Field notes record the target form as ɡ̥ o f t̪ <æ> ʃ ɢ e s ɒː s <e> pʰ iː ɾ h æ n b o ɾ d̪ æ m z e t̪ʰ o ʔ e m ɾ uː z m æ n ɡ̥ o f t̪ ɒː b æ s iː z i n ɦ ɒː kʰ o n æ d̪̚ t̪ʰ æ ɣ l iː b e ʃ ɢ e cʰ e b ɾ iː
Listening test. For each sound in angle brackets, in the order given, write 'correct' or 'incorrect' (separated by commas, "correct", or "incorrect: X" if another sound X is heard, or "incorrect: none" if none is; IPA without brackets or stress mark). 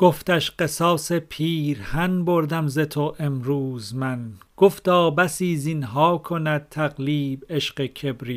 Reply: correct, correct